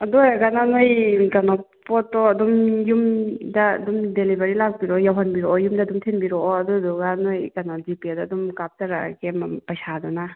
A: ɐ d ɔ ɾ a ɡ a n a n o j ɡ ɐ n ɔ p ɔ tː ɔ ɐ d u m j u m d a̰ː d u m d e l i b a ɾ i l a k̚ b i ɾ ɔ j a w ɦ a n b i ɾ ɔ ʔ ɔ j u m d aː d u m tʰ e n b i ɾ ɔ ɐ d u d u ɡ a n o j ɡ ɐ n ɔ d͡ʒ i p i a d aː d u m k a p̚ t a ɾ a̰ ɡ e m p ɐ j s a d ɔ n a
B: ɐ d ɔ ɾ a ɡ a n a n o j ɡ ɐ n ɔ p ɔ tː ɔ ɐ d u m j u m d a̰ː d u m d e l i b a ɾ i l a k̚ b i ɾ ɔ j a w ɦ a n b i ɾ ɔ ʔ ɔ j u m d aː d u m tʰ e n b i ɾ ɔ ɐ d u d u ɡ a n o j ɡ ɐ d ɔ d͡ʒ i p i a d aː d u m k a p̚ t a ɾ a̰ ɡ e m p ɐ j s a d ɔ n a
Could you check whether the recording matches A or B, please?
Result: A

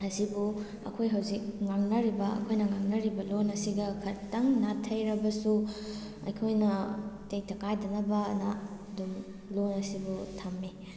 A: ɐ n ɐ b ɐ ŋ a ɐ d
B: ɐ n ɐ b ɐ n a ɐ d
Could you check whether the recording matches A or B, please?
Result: B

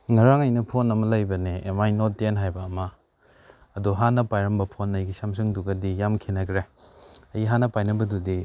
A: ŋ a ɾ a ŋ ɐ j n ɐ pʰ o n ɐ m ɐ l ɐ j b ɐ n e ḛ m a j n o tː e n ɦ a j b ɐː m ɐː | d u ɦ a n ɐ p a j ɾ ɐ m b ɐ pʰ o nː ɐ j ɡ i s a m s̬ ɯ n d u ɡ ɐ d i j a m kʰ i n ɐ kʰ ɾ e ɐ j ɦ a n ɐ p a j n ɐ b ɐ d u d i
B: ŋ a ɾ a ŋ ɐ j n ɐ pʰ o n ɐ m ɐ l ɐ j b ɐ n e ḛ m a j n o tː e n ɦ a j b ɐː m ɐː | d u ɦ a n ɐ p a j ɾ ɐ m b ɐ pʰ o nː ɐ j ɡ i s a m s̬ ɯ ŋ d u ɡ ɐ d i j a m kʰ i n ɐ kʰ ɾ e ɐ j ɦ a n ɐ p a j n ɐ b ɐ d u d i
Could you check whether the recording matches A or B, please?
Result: B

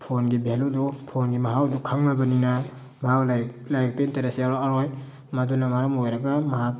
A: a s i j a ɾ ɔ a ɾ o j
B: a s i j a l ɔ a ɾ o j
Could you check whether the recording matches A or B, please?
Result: A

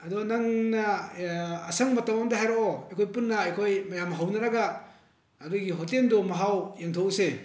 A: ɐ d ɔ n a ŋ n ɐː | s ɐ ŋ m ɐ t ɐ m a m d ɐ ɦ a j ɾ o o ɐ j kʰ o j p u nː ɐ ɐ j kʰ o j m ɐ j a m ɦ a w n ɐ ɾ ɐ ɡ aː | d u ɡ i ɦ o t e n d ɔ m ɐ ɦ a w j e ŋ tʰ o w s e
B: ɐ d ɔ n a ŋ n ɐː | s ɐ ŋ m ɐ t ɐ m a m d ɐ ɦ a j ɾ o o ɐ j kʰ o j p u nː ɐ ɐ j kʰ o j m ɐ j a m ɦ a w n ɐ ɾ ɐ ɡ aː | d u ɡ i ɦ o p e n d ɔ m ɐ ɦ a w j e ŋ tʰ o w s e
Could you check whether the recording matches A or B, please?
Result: A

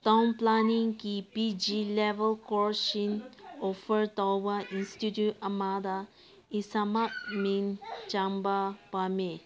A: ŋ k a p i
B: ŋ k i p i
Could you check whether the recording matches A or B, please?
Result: B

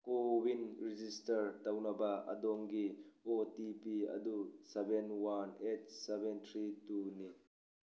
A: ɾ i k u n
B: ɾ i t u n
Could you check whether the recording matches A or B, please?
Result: B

